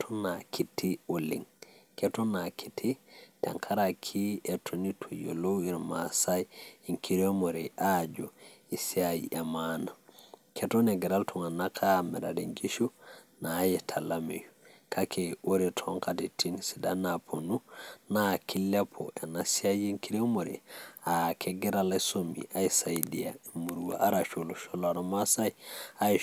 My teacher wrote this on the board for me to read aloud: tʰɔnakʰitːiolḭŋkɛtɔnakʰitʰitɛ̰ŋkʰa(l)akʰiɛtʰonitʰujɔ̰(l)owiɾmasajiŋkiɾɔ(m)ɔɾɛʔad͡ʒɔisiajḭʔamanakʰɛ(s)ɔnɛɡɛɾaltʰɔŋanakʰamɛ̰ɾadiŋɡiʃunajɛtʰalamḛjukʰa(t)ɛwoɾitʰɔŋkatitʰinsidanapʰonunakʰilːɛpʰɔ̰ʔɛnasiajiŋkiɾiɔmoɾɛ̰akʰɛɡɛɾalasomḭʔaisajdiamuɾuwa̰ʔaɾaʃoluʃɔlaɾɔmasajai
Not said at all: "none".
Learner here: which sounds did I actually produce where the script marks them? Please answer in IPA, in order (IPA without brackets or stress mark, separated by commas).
ɾ, l, m, t, k